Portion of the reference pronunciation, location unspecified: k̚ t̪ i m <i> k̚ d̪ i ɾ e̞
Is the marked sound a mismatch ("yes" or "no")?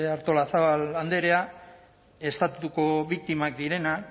yes